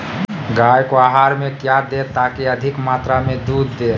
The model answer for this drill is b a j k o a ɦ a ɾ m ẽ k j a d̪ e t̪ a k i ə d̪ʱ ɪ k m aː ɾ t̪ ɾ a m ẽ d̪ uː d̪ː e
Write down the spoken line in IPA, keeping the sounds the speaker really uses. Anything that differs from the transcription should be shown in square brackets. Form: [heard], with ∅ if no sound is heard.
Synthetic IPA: [ɡ] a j k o a ɦ a ɾ m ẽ k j a d̪ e t̪ a k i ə d̪ʱ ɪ k m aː [∅] t̪ ɾ a m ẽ d̪ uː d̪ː e